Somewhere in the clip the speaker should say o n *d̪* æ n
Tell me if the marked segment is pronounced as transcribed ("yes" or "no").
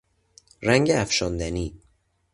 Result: yes